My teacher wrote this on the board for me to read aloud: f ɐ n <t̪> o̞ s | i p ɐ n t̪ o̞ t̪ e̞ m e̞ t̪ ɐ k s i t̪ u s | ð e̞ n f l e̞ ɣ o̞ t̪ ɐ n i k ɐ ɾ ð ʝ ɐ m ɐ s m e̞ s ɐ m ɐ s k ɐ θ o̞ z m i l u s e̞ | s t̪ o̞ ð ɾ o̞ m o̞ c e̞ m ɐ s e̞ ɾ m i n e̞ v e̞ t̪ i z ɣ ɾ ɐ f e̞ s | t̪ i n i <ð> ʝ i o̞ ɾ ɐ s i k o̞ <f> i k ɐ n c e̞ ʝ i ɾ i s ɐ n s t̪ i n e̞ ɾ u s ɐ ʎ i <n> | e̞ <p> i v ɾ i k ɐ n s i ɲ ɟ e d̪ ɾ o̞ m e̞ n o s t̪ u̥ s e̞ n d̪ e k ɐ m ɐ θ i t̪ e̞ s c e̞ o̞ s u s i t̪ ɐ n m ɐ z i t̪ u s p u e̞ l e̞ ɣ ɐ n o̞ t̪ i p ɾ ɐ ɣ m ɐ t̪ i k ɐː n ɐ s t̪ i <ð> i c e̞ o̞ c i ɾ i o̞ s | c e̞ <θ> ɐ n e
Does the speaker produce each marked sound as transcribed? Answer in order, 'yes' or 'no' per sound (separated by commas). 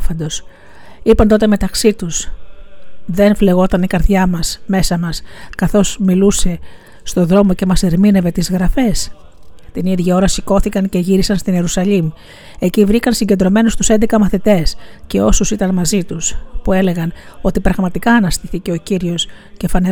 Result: no, yes, no, no, no, no, no